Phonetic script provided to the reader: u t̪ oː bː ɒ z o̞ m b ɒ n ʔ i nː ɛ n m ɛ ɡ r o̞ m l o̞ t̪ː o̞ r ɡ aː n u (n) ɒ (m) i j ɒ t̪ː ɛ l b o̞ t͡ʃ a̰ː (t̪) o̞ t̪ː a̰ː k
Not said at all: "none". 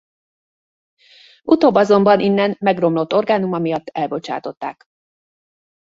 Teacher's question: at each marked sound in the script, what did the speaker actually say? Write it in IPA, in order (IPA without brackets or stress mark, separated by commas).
m, m, t̪